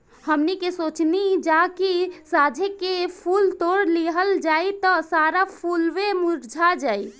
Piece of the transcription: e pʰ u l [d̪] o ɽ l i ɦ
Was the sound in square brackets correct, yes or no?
no